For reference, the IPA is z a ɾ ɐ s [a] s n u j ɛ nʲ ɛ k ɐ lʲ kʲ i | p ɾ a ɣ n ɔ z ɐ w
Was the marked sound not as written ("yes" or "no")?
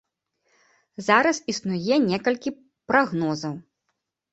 yes